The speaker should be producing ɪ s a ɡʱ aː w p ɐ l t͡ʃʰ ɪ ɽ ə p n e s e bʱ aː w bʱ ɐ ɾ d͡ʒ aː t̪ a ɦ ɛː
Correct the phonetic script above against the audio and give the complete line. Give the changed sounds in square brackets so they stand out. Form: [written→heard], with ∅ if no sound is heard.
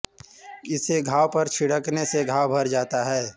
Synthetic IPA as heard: ɪ s [a→e] ɡʱ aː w p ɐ [l→ɾ] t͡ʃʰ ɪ ɽ ə [p→k] n e s e [bʱ→ɡʱ] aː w bʱ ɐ ɾ d͡ʒ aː t̪ a ɦ ɛː